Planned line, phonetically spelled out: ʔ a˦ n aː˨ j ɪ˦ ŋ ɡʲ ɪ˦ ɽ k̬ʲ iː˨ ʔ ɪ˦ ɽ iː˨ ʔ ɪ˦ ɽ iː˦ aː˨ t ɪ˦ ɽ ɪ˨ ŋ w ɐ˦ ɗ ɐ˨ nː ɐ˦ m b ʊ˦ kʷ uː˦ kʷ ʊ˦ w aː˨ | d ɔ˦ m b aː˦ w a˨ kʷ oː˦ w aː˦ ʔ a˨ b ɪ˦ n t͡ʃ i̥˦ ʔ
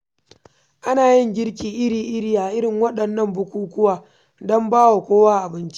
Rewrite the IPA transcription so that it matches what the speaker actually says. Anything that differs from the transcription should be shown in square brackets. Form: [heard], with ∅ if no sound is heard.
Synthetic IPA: ʔ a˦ n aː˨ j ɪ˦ ŋ ɡʲ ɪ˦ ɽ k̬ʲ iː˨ ʔ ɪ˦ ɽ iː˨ ʔ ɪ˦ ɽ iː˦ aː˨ [ʔ] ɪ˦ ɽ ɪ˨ ŋ w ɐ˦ ɗ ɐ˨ nː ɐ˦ m b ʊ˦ kʷ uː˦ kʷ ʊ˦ w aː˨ | d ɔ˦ m b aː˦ w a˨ kʷ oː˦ w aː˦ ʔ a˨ b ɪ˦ n t͡ʃ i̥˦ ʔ